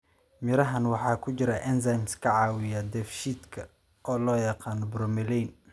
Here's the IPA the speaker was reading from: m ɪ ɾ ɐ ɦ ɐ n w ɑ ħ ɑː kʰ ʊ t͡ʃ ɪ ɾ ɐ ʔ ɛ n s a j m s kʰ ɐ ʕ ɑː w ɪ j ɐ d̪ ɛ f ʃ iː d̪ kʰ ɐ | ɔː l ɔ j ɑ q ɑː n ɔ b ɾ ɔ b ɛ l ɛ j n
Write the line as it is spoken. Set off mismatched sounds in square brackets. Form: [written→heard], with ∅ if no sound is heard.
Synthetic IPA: m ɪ ɾ ɐ ɦ ɐ n w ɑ ħ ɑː kʰ ʊ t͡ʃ ɪ ɾ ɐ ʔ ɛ n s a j m s kʰ ɐ ʕ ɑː w ɪ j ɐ d̪ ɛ f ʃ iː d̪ kʰ ɐ | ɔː l [ɔ→ɔː] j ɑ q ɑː n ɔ b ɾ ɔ [b→m] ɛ l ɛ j n